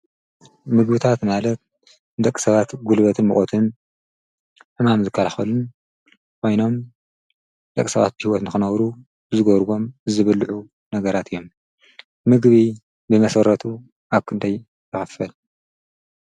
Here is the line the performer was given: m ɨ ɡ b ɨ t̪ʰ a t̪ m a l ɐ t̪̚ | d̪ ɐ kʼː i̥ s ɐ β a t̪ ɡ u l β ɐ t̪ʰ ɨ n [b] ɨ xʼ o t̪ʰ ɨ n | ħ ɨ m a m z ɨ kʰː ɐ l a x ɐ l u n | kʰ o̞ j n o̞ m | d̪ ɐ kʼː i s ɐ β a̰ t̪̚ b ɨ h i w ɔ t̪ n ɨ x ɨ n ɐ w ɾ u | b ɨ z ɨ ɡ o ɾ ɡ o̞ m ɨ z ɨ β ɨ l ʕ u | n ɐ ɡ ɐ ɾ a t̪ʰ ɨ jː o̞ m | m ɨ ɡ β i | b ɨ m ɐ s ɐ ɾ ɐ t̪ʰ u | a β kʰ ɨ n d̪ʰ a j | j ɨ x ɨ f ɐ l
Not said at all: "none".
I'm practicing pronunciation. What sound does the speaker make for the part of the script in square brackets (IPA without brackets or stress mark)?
m